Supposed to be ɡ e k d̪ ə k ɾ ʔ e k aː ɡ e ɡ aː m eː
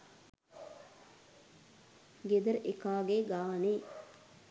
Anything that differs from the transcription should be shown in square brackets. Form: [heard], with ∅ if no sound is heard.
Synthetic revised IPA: ɡ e [∅] d̪ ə [∅] ɾ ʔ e k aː ɡ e ɡ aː [n] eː